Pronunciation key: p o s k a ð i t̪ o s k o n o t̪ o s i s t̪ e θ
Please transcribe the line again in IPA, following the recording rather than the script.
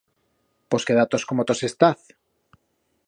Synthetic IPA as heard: p o s k e ð a t̪ o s k o m o t̪ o s e s t̪ a θ